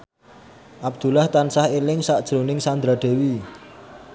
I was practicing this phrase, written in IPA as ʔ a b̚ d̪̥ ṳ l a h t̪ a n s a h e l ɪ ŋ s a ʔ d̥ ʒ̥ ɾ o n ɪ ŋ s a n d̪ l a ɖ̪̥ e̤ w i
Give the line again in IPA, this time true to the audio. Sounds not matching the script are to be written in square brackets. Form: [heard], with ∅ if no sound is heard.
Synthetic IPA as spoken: ʔ a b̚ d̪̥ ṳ l a h t̪ a n s a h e l ɪ ŋ s a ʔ d̥ ʒ̥ ɾ o n ɪ ŋ s a n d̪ [ɾ] a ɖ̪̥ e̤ w i